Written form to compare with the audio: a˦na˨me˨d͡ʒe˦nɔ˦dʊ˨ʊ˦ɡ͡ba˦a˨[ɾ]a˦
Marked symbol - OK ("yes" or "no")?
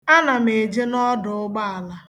no